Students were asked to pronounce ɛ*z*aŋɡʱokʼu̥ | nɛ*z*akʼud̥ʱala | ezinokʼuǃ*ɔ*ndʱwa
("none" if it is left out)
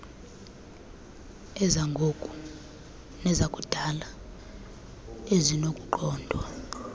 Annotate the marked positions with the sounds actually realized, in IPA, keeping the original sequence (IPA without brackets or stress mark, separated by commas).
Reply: z, z, ɔː